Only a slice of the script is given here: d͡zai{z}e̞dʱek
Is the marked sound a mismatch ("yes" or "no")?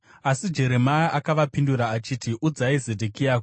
no